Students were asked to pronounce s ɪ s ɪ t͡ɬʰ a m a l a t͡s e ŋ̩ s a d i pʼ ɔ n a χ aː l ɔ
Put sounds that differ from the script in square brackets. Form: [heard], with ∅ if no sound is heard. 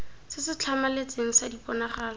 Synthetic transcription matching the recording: s ɪ s ɪ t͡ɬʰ a m a l [e] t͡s e ŋ̩ s a d i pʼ ɔ n a χ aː l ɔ